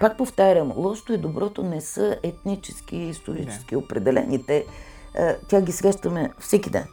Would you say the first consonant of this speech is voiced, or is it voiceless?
voiceless